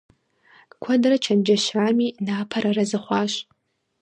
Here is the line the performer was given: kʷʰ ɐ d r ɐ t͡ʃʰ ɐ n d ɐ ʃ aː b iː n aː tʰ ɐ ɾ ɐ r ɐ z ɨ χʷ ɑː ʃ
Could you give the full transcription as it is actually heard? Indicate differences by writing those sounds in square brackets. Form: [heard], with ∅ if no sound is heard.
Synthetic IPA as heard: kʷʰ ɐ d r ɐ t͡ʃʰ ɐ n [d͡ʒ] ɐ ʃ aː [m] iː n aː [pʰ] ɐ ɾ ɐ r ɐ z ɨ χʷ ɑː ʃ